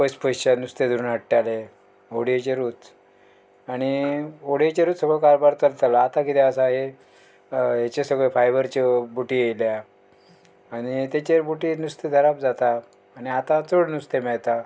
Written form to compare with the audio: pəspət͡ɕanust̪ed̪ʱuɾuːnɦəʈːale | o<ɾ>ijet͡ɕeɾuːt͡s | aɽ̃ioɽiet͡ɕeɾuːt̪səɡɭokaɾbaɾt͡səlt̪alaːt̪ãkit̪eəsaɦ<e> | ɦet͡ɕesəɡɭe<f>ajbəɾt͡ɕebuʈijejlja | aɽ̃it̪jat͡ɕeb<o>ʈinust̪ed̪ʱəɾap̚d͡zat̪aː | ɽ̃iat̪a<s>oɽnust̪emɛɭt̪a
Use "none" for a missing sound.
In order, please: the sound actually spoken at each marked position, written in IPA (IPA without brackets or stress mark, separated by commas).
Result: ɽ, e, f, u, t͡s